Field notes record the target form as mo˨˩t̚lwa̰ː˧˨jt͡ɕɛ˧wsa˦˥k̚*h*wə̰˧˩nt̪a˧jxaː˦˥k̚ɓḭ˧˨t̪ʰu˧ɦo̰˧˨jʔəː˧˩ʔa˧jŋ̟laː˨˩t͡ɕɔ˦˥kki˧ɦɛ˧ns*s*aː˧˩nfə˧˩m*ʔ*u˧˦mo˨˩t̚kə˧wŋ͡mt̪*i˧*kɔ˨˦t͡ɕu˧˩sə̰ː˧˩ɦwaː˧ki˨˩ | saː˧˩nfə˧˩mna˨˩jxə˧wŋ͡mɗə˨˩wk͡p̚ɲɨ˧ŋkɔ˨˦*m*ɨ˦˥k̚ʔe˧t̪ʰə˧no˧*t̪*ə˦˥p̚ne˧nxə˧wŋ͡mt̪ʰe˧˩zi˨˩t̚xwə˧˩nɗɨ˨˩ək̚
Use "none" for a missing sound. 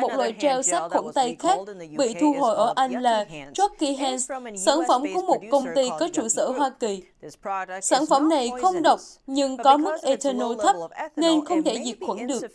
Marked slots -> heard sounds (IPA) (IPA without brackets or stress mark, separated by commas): x, s, k, i˧, m, t̪ʰ